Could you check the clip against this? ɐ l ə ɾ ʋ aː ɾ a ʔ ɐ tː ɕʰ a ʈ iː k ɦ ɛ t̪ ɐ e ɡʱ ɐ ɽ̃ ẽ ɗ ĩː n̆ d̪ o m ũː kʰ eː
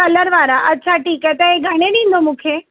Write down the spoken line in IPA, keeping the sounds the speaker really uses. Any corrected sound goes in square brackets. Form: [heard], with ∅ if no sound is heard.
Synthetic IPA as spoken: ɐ l ə ɾ ʋ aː ɾ a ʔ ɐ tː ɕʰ a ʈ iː k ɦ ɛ t̪ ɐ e ɡʱ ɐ ɽ̃ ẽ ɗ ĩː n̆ d̪ o m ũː kʰ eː